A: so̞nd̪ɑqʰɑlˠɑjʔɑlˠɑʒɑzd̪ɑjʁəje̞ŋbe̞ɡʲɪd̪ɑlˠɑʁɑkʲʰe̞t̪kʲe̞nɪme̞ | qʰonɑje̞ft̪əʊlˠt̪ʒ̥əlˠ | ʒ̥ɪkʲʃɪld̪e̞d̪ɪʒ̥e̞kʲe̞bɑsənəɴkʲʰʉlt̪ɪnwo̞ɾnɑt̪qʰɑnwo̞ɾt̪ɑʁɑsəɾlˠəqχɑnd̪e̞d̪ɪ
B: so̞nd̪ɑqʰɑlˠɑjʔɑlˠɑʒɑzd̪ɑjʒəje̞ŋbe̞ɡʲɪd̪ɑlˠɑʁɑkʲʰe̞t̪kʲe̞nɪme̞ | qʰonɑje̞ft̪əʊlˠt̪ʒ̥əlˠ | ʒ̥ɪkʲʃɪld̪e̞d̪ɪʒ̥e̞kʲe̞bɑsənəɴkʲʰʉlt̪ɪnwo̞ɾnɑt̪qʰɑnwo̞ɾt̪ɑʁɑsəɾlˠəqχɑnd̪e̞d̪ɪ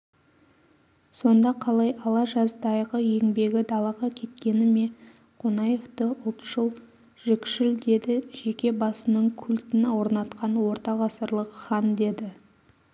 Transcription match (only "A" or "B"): A